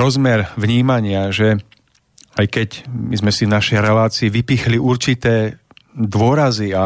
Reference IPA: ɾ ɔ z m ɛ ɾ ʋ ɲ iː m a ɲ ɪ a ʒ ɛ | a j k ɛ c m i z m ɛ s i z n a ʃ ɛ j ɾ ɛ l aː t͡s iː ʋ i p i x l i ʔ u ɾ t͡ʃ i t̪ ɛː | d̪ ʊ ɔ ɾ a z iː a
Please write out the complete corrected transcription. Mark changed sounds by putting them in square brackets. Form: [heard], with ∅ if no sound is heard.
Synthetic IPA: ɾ ɔ z m ɛ ɾ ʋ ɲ iː m a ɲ ɪ a ʒ ɛ | a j k ɛ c m i z m ɛ s i [v] n a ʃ ɛ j ɾ ɛ l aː t͡s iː ʋ i p i x l i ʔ u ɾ t͡ʃ i t̪ ɛː | d̪ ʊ ɔ ɾ a z [i] a